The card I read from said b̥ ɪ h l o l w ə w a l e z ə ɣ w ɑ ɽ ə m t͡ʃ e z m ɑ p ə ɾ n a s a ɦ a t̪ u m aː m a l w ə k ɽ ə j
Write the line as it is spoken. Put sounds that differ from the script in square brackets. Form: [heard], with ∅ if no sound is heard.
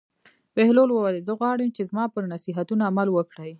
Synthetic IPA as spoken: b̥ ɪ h l o l w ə w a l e z ə ɣ w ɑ ɽ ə m t͡ʃ e z m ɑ p ə ɾ n a s [i] ɦ a t̪ u [n] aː m a l w ə k ɽ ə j